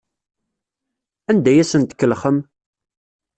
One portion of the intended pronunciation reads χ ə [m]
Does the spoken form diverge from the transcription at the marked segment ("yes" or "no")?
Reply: no